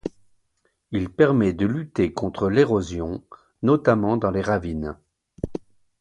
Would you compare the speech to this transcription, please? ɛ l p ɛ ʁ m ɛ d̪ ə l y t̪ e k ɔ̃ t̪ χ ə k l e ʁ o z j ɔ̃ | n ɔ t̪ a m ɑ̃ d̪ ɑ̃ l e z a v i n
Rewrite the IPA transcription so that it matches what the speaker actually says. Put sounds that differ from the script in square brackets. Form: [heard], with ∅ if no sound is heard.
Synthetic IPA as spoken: [i] l p ɛ ʁ m ɛ d̪ ə l y t̪ e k ɔ̃ t̪ χ ə [∅] l e ʁ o z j ɔ̃ | n ɔ t̪ a m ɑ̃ d̪ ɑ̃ l e [ʁ] a v i n

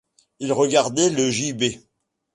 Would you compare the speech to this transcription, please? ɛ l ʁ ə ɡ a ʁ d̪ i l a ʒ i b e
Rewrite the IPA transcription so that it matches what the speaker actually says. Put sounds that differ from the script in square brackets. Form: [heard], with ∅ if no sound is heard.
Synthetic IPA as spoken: [i] l ʁ ə ɡ a ʁ d̪ [ɛ] l [ə] ʒ i b e

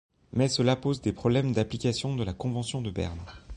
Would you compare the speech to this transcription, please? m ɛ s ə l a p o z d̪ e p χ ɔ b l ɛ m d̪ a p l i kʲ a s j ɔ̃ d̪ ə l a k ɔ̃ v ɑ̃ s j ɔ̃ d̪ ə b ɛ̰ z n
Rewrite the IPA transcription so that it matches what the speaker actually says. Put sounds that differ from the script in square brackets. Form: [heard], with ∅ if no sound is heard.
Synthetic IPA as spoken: m ɛ s ə l a p o z d̪ e p χ ɔ b l ɛ m d̪ a p l i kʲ a s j ɔ̃ d̪ ə l a k ɔ̃ v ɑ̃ s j ɔ̃ d̪ ə b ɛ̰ [ʁ] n

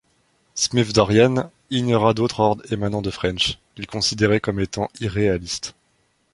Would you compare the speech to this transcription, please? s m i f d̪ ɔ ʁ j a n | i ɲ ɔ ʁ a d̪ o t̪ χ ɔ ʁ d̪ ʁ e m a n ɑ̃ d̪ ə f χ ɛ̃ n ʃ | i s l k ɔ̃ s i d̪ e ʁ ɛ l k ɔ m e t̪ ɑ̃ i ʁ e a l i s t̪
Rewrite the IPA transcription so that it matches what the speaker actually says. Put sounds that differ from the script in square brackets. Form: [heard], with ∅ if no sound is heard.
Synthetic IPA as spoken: s m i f d̪ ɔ ʁ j a n | i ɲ ɔ ʁ a d̪ o t̪ χ ɔ ʁ d̪ ʁ e m a n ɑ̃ d̪ ə f χ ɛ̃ n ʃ | i [∅] l k ɔ̃ s i d̪ e ʁ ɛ [∅] k ɔ m e t̪ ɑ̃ i ʁ e a l i s t̪

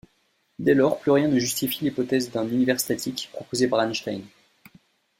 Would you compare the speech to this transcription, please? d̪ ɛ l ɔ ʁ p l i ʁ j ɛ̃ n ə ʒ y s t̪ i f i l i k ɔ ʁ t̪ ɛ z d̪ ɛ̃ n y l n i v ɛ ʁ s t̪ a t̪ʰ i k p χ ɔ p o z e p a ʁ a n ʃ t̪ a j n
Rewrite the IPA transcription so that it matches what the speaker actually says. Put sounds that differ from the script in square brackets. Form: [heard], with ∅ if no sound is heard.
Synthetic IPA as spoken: d̪ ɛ l ɔ ʁ p l [y] ʁ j ɛ̃ n ə ʒ y s t̪ i f i l i [p] ɔ [∅] t̪ ɛ z d̪ ɛ̃ n y [∅] n i v ɛ ʁ s t̪ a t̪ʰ i k p χ ɔ p o z e p a ʁ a n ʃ t̪ a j n

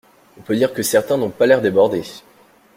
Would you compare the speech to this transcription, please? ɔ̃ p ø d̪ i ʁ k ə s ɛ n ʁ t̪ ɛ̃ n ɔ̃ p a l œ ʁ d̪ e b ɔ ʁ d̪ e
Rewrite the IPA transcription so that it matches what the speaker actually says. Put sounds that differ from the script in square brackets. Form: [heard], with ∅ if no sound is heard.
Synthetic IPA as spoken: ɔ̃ p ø d̪ i ʁ k ə s ɛ [∅] ʁ t̪ ɛ̃ n ɔ̃ p a l [ɛ] ʁ d̪ e b ɔ ʁ d̪ e

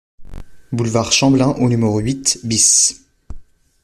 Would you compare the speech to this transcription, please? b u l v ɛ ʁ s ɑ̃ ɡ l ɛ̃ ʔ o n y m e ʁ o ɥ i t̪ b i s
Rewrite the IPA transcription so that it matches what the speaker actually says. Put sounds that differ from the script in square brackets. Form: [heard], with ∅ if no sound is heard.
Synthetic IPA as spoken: b u l v [a] ʁ [ʃ] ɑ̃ [b] l ɛ̃ ʔ o n y m e ʁ o ɥ i t̪ b i s

